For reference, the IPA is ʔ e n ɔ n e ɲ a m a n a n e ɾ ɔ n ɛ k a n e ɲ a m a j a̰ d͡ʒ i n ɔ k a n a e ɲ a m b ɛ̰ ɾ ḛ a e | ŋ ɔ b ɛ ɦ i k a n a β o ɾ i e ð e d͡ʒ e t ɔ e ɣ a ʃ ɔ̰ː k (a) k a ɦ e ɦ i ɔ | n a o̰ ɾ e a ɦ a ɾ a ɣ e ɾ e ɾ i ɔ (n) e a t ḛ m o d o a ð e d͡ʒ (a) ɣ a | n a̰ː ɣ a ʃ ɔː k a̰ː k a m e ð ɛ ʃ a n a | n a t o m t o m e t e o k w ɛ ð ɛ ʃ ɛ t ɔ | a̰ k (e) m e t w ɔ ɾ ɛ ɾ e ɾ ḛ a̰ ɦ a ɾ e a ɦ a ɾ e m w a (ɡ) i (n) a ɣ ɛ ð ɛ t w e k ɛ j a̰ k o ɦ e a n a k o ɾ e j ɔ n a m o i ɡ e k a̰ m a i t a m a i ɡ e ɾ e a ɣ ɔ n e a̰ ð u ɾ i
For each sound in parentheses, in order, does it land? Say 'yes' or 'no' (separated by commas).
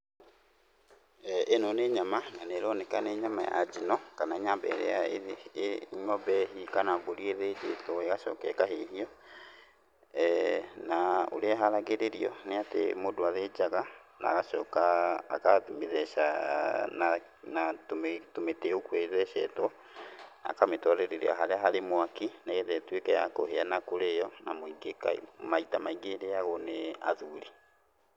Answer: no, yes, yes, no, no, yes